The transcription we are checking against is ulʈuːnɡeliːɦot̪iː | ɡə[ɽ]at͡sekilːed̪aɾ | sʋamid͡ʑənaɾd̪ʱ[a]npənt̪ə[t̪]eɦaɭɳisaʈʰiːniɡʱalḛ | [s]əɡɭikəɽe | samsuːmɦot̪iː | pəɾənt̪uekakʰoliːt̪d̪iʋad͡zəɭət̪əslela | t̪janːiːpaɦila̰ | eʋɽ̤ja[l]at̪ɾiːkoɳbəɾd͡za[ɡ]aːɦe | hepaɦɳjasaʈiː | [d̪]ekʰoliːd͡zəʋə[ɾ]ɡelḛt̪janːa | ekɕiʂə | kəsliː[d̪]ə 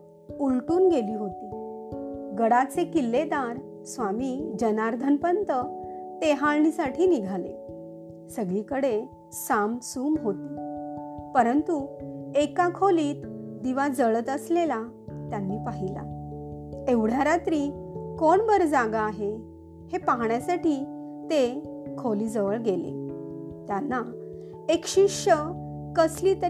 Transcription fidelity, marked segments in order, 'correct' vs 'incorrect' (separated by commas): correct, incorrect, correct, correct, incorrect, correct, incorrect, incorrect, incorrect